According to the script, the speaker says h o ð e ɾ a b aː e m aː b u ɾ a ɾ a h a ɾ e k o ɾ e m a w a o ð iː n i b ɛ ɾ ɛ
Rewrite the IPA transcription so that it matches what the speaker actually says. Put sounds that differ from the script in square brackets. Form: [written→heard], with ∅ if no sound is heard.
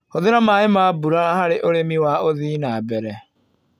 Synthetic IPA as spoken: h o ð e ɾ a [b→m] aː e m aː b u ɾ a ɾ a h a ɾ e [k→ʔ] o ɾ e m [a→i] w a o ð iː n [i→a] b ɛ ɾ ɛ